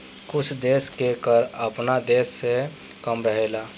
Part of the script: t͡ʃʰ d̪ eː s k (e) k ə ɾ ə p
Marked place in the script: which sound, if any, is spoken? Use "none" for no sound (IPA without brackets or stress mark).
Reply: e